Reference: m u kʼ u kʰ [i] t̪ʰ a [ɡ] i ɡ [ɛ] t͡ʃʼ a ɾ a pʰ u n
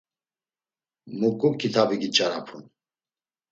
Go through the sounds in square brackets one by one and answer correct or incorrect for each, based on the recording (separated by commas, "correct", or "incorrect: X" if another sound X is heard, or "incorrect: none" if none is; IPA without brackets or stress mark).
correct, incorrect: b, incorrect: i